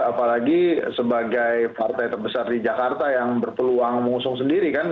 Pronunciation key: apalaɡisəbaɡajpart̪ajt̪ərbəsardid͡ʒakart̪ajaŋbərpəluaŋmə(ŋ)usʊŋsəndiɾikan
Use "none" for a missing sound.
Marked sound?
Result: ŋ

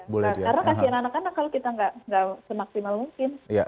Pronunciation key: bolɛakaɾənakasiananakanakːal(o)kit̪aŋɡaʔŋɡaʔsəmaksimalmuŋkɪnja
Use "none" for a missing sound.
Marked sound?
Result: o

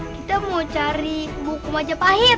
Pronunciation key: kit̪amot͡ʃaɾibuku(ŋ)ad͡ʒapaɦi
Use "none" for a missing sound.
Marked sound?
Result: m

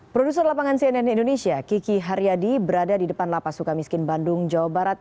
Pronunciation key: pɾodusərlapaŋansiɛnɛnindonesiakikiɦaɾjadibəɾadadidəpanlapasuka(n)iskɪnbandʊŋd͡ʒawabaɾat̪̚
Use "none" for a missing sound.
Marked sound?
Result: m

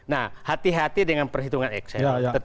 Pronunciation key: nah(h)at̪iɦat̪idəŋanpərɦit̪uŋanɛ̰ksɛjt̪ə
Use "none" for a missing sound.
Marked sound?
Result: h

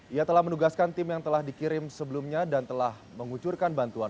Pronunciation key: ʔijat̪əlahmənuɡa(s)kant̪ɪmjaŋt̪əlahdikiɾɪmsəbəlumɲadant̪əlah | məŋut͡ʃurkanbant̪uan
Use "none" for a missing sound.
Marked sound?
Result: s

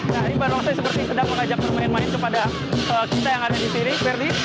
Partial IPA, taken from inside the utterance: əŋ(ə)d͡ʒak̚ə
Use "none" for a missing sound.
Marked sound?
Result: a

